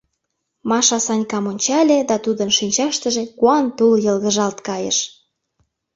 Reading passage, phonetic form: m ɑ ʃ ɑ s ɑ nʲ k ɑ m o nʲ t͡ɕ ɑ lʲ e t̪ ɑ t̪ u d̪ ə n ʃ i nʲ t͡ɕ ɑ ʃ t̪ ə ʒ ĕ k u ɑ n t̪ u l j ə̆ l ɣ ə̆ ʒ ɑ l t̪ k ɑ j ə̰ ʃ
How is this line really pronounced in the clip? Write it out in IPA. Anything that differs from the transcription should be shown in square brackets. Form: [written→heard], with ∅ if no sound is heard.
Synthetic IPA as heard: m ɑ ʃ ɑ s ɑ nʲ k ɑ m o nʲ t͡ɕ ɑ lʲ e [t̪→d̪] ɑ t̪ u d̪ ə n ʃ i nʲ t͡ɕ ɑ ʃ t̪ ə ʒ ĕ k u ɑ n t̪ u l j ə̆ l ɣ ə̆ ʒ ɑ l t̪ k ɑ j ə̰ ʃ